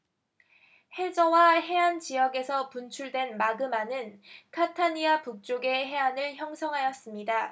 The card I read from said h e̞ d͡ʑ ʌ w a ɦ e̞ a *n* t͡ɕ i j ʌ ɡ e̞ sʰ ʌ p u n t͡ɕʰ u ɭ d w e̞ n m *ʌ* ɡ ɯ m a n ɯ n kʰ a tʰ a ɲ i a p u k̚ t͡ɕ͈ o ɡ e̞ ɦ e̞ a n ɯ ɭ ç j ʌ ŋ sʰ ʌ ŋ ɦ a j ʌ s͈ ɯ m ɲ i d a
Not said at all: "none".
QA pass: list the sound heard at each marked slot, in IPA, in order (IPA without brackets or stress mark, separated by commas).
n, a